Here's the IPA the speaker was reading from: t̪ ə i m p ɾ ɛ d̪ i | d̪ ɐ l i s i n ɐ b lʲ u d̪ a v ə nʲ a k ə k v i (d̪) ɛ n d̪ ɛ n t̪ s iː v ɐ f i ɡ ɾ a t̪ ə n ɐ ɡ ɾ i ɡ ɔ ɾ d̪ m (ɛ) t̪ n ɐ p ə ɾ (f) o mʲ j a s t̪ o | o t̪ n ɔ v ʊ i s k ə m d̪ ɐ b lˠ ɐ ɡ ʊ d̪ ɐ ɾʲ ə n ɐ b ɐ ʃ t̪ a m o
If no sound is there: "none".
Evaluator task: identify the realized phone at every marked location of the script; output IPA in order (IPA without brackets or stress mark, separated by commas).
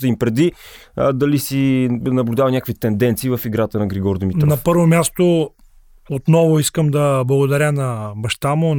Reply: t̪, i, v